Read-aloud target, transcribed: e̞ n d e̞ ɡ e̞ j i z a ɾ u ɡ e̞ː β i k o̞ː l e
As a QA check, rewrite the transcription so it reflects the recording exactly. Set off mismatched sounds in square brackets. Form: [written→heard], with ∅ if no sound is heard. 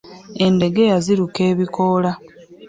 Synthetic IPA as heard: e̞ n d e̞ ɡ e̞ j [i→a] z [a→i] ɾ u [ɡ→k] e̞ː β i k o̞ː l [e→a]